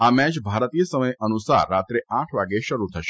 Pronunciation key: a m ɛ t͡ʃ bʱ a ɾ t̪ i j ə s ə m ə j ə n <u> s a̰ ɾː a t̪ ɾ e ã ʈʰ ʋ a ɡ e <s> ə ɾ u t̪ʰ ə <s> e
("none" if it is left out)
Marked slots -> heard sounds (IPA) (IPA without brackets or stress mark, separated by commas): u, ʃ, ʃ